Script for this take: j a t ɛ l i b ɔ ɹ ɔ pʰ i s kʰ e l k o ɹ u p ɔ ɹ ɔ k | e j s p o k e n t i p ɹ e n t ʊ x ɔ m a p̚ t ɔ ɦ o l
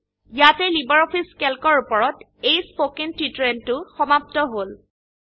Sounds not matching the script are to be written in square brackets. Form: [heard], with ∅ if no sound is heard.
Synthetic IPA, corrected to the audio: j a t ɛ l i b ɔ ɹ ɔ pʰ i s [k] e l k [ɔ] ɹ u p ɔ ɹ ɔ [t] | e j s p o k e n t i [t] ɹ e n t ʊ x ɔ m a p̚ t ɔ ɦ o l

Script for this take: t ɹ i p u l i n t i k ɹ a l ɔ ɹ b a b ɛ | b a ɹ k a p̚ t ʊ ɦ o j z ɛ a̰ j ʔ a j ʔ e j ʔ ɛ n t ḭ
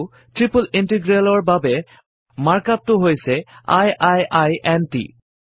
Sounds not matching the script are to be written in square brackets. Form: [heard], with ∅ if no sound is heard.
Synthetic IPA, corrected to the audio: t ɹ i p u l i n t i [ɡ] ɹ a l ɔ ɹ b a b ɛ | [m] a ɹ k a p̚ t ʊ ɦ o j [s] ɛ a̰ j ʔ a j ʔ [a] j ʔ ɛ n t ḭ

